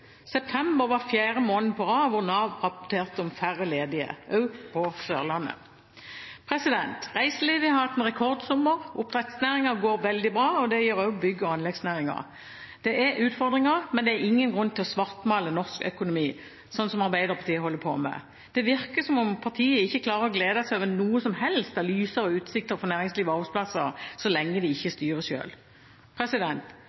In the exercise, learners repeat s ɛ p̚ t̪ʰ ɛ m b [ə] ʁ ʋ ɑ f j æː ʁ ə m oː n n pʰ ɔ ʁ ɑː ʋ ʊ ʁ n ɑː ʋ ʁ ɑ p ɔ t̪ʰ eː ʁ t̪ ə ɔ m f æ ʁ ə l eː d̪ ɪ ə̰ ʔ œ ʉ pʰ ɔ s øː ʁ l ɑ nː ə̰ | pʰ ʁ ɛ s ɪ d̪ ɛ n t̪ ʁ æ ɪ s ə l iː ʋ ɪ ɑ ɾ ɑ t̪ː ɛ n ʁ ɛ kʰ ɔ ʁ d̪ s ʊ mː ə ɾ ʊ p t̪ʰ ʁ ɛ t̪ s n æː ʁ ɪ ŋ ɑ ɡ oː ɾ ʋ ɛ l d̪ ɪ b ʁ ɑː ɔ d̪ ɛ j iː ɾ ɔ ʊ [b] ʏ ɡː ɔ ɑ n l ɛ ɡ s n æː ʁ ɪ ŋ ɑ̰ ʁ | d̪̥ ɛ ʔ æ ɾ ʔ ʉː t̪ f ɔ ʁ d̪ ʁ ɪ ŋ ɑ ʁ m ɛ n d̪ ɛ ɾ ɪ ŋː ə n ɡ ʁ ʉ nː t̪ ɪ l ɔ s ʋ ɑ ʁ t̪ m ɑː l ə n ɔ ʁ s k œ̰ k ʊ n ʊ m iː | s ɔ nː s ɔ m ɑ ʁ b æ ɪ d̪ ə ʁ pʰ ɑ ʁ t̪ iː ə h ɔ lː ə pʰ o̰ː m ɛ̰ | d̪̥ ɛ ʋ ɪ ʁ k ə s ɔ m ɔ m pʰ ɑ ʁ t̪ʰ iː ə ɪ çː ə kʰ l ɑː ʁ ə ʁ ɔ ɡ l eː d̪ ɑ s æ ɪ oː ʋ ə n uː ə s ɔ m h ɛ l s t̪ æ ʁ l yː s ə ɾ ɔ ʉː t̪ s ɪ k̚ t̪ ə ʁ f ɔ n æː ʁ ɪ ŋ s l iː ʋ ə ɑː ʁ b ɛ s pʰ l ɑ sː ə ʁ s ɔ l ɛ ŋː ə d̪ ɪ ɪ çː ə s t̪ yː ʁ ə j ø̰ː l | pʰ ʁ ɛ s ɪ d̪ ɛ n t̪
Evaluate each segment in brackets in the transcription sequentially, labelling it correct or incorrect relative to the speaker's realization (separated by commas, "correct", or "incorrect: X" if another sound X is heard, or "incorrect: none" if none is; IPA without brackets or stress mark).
correct, correct